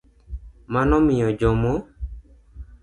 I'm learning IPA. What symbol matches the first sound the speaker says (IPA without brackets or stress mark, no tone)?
m